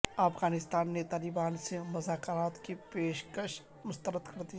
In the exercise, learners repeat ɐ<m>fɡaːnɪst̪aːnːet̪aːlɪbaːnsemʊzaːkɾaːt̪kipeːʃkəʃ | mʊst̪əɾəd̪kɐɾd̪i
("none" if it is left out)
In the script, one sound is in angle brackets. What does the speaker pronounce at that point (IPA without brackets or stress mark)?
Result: none